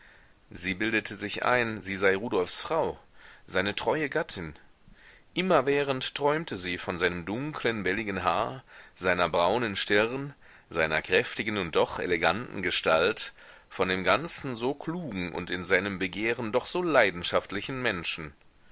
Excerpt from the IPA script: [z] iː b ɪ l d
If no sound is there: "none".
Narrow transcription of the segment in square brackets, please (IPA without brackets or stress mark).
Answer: z